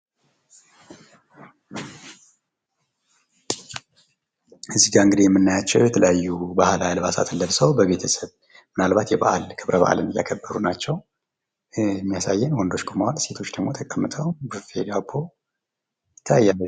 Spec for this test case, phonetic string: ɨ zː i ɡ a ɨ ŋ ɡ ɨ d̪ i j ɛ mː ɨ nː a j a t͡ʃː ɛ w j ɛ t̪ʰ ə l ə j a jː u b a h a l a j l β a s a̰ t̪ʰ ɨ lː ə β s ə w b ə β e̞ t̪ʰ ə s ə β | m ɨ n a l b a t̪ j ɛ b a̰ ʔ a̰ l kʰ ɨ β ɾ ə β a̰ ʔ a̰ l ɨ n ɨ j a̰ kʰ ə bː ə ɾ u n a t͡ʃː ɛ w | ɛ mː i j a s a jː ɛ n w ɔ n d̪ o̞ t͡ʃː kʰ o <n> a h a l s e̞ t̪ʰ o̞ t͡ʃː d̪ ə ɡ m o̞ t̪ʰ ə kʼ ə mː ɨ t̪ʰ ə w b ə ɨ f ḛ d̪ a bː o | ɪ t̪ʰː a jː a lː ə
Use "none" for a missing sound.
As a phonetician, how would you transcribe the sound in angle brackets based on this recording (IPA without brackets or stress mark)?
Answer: m